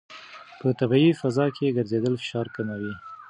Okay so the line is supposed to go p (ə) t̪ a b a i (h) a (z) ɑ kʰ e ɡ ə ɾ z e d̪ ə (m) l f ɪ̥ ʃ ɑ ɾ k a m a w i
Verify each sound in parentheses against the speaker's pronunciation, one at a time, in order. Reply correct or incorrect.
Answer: correct, incorrect: f, correct, incorrect: none

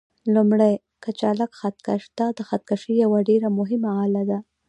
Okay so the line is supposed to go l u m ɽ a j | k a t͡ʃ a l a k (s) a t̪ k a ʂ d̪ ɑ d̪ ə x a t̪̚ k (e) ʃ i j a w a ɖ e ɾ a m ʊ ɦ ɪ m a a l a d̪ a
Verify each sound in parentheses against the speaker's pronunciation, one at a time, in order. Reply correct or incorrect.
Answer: incorrect: x, incorrect: a

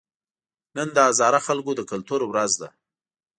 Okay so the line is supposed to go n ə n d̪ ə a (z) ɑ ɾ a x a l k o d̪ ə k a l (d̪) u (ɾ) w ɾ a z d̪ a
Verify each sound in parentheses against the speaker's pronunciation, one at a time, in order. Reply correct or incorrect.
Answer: correct, incorrect: t̪, correct

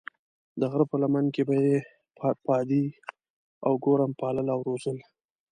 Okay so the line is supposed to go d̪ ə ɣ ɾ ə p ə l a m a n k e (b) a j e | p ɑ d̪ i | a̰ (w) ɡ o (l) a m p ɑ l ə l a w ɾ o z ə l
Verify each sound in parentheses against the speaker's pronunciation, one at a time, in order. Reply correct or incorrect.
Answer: correct, correct, incorrect: ɾ

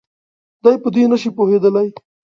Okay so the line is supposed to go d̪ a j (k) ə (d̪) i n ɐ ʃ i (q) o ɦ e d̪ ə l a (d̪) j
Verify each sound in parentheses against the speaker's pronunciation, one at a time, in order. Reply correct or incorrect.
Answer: incorrect: p, correct, incorrect: p, incorrect: none

